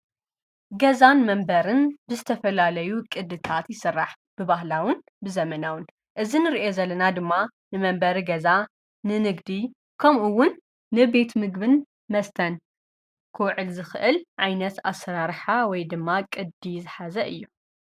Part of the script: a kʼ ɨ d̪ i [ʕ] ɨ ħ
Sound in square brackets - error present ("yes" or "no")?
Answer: yes